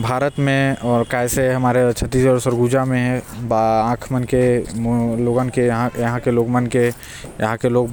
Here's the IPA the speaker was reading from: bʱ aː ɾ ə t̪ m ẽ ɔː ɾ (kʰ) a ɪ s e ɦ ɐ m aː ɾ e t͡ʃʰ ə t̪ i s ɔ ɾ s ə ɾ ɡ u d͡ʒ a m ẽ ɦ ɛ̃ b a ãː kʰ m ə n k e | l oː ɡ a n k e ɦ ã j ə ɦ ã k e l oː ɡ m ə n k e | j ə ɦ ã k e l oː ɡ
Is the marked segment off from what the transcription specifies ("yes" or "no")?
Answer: yes